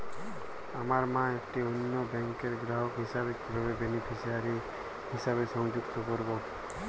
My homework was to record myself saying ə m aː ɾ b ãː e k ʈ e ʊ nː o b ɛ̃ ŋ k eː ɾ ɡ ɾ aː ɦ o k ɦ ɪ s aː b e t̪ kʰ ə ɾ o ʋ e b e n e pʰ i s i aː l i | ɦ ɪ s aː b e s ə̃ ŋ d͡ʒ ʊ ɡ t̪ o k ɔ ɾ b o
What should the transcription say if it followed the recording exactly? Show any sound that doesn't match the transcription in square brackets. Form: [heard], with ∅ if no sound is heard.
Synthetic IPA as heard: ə m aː ɾ [m] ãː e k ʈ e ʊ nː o b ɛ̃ ŋ k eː ɾ ɡ ɾ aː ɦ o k ɦ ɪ s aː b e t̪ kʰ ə ɾ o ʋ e b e n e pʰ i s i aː [ɾ] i | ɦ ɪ s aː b e s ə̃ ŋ d͡ʒ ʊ ɡ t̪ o k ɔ ɾ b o